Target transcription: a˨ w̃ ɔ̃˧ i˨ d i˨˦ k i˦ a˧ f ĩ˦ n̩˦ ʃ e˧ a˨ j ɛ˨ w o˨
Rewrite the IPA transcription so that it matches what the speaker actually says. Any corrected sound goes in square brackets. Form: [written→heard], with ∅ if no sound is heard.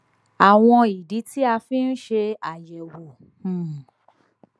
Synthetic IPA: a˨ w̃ ɔ̃˧ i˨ d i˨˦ [k→t] i˦ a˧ f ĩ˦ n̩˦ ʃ e˧ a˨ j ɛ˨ w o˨